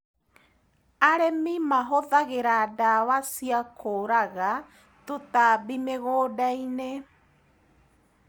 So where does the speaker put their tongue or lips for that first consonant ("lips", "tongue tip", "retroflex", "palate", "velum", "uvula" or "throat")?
tongue tip